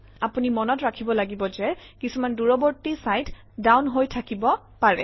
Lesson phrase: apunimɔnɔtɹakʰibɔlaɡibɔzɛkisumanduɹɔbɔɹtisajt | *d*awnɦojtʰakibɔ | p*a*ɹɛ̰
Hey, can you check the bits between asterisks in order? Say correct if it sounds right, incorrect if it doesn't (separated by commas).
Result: correct, correct